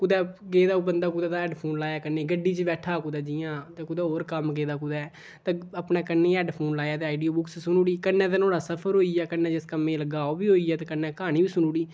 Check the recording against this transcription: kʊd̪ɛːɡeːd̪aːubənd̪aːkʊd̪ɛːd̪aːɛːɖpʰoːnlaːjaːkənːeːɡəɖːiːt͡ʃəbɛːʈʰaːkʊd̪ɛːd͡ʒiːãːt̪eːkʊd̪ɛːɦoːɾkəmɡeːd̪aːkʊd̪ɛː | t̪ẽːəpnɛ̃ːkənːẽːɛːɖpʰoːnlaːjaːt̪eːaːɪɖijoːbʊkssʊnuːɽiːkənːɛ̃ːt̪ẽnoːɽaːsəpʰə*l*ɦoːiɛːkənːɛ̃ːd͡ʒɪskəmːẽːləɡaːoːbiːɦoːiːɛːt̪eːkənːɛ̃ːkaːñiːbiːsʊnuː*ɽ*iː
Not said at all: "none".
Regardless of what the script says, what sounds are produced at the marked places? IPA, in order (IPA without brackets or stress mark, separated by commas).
ɾ, ɽ